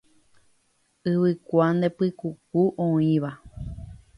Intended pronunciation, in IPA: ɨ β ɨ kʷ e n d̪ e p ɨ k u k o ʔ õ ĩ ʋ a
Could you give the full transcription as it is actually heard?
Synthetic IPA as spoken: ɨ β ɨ kʷ a n d̪ e p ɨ k u k u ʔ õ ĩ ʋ a

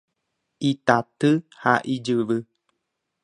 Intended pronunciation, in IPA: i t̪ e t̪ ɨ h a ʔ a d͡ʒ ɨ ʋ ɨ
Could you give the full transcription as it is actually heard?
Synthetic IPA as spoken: i t̪ a t̪ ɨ h a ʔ i d͡ʒ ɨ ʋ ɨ

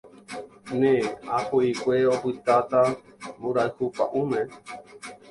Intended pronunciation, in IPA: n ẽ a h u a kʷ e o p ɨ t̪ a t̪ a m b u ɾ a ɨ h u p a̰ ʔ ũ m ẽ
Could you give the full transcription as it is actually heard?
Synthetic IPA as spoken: n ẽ a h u i kʷ e o p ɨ t̪ a t̪ a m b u ɾ a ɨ h u p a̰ ʔ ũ m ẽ

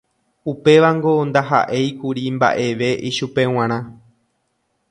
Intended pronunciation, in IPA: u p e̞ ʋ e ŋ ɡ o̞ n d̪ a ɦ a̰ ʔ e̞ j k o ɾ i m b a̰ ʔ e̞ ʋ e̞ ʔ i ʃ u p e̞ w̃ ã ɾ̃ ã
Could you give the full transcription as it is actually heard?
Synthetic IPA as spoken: u p e̞ ʋ a ŋ ɡ o̞ n d̪ a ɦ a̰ ʔ e̞ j k u ɾ i m b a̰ ʔ e̞ ʋ e̞ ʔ i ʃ u p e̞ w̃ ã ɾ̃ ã

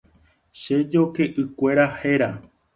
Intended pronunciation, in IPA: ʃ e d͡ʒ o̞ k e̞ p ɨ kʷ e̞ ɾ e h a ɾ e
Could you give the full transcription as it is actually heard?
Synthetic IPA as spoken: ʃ e d͡ʒ o̞ k e̞ ʔ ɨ kʷ e̞ ɾ a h e ɾ a

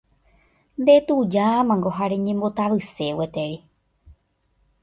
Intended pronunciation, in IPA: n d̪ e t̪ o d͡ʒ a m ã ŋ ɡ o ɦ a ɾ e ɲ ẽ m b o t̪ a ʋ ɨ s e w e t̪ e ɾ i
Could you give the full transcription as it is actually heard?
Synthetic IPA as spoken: n d̪ e t̪ u d͡ʒ a m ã ŋ ɡ o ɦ a ɾ e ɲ ẽ m b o t̪ a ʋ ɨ s e w e t̪ e ɾ i

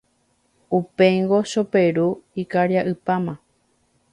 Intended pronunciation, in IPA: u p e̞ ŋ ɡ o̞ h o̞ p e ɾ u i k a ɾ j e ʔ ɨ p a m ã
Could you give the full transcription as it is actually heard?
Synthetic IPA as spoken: u p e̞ ŋ ɡ o̞ ʃ o̞ p e ɾ u i k a ɾ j a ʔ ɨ p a m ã

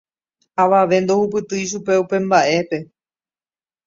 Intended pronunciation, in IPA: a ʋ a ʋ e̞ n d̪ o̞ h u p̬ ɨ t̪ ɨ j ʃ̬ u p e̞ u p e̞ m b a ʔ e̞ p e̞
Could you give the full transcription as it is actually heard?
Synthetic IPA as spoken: a ʋ a ʋ e̞ n d̪ o̞ h u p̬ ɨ t̪ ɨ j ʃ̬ u p e̞ u p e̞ m b a ʔ e̞ p e̞

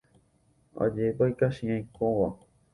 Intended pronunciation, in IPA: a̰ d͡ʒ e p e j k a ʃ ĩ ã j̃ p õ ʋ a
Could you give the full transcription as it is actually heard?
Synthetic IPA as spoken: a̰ d͡ʒ e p a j k a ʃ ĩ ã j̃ k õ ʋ a

